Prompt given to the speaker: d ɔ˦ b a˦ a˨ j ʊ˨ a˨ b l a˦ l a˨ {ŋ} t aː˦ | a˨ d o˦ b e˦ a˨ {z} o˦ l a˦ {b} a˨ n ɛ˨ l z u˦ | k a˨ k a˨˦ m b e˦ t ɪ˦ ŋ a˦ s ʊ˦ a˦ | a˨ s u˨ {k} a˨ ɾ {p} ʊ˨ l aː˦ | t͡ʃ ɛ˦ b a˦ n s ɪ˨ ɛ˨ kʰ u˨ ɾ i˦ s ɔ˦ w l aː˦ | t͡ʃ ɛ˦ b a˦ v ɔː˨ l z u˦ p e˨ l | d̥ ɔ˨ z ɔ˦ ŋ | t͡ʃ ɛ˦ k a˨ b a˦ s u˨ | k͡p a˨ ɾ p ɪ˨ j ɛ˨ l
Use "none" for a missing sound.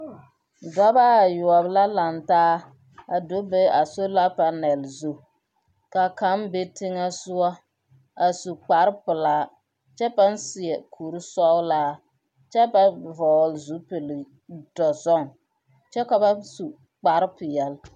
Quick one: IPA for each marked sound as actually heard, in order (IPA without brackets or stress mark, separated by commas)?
n, s, p, k͡p, p